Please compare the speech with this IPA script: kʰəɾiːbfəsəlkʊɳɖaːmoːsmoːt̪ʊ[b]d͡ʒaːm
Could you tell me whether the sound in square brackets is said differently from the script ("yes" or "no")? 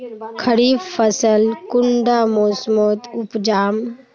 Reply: yes